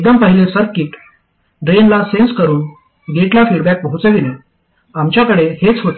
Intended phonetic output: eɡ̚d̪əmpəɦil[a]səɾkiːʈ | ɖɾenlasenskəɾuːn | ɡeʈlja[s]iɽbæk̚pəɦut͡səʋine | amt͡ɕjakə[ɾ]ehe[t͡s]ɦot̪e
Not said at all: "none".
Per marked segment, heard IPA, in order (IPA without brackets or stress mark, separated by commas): e, f, ɽ, t͡s